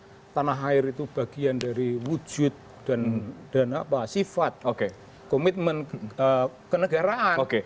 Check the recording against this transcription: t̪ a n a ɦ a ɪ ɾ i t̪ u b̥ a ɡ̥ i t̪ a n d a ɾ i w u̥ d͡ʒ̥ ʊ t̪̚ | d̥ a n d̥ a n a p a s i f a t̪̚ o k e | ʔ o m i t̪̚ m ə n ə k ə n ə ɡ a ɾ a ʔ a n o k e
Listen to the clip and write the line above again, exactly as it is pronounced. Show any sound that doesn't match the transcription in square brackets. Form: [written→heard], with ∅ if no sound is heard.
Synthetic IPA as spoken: t̪ a n a ɦ a ɪ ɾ i t̪ u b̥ a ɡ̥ i [t̪→∅] a n d a ɾ i w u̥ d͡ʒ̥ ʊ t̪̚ | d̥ a n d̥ a n a p a s i f a t̪̚ o k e | [ʔ→k] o m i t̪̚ m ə n ə k ə n ə ɡ a ɾ a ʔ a n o k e